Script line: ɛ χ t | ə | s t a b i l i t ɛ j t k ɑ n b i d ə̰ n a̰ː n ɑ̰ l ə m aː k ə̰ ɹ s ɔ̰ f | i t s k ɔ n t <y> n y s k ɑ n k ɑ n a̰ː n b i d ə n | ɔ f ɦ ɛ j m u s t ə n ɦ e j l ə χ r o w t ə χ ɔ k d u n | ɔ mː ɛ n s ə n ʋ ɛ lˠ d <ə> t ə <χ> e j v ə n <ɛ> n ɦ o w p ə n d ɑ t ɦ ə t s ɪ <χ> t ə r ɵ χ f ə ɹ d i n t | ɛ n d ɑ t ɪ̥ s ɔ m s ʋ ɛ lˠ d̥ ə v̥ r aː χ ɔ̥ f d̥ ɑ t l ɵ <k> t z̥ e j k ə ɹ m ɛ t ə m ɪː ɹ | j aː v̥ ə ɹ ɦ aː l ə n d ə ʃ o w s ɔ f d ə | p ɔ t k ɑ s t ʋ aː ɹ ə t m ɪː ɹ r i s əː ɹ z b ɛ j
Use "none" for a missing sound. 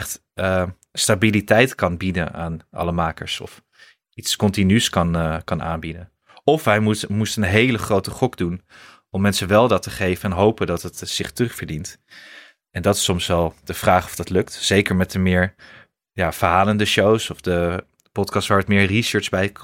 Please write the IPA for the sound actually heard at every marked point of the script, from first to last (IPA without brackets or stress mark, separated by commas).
i, ɑ, χ, ɛ, χ, k